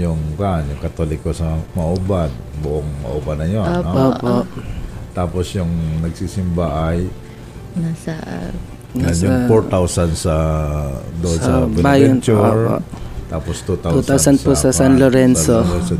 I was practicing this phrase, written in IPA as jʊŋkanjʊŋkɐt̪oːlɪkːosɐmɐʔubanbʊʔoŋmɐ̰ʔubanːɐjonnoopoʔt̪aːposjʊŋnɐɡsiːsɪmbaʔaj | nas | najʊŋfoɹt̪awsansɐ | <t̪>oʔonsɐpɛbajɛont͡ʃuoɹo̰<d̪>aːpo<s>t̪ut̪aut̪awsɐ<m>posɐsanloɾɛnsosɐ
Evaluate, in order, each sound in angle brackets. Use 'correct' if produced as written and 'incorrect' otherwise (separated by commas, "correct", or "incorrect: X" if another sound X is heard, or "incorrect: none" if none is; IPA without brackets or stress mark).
incorrect: d̪, incorrect: t̪, correct, incorrect: n